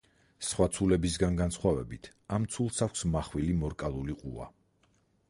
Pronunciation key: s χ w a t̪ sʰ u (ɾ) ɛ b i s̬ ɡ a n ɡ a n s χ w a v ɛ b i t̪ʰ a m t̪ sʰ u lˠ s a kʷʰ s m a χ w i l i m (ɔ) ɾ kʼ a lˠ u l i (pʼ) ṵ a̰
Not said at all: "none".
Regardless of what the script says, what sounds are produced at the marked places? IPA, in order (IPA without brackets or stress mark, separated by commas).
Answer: l, ɔ, qʼ